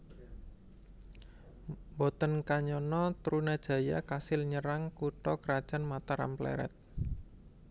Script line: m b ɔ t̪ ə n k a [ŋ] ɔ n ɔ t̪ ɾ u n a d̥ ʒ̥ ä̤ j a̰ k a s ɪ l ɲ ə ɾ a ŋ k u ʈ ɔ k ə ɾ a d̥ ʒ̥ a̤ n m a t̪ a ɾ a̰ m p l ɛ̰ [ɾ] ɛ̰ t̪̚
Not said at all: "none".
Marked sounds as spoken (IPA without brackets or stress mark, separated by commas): ɲ, ɾ